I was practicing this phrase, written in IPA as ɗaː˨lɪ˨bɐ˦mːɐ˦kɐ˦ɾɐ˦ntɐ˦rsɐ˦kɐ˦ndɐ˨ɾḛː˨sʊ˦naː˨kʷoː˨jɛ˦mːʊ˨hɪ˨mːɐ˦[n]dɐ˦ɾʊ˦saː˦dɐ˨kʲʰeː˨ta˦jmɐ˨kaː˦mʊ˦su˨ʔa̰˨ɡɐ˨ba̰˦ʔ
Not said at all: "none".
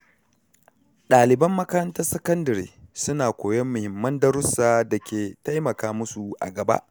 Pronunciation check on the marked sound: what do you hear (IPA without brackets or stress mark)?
n